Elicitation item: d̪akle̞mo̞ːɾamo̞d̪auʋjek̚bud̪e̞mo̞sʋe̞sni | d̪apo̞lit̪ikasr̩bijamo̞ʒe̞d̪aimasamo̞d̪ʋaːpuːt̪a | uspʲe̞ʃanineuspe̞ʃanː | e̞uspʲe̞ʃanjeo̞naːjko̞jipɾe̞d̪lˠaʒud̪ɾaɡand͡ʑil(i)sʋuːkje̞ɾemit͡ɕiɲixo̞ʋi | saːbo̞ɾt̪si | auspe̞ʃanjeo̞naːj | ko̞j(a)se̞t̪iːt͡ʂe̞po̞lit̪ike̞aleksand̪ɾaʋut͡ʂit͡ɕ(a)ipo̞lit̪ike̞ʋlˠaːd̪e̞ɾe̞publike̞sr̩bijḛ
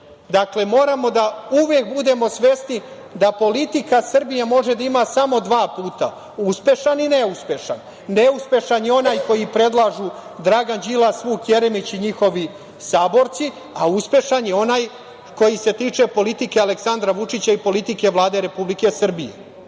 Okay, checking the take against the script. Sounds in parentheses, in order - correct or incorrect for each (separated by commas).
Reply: incorrect, incorrect, correct